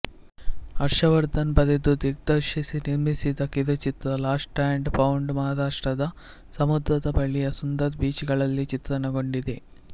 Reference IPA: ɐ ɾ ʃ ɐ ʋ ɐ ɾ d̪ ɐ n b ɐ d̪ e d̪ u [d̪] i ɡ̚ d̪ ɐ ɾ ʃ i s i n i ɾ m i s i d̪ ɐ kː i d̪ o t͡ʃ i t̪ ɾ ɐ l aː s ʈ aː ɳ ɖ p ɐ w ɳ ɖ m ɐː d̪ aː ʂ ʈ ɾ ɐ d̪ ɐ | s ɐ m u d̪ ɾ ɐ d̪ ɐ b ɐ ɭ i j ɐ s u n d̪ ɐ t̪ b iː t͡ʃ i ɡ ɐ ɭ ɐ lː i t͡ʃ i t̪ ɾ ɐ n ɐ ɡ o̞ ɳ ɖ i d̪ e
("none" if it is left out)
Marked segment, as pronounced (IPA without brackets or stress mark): d̪